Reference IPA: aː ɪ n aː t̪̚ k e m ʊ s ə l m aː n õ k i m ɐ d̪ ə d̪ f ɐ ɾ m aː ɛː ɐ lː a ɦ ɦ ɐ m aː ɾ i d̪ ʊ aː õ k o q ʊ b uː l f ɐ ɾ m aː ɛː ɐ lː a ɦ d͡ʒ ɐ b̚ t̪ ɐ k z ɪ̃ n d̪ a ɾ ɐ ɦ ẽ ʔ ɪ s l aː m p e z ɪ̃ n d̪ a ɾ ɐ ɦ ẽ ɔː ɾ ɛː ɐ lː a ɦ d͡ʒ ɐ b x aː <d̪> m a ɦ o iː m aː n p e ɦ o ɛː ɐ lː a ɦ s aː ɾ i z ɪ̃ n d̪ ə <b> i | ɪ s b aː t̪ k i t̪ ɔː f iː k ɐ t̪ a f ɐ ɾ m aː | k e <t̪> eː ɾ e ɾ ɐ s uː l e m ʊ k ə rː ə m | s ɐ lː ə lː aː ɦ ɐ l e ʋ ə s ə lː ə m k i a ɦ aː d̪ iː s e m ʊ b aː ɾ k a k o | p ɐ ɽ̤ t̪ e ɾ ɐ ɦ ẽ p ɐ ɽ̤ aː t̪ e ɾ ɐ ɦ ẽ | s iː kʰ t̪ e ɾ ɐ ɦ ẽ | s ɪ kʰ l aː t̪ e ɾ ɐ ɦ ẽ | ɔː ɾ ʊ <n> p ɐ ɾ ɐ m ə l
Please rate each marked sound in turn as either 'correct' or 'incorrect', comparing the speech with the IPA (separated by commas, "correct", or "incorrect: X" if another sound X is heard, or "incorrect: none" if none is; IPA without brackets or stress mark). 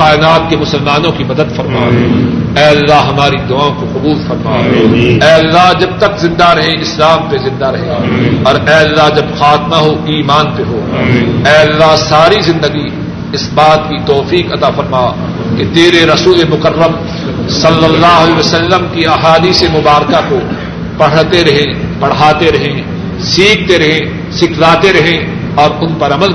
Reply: incorrect: t̪, incorrect: ɡ, correct, correct